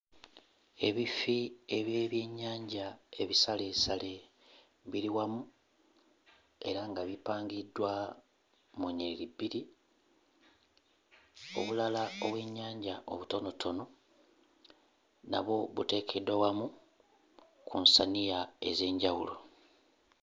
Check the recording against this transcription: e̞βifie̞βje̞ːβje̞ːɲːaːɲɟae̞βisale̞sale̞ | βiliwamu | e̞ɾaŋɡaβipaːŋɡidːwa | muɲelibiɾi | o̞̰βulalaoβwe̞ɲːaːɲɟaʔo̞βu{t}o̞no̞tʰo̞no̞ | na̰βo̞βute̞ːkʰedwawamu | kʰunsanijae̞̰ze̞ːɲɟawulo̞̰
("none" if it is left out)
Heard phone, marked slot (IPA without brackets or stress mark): t